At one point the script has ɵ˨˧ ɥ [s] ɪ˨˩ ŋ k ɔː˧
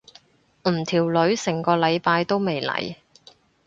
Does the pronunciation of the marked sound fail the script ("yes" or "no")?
no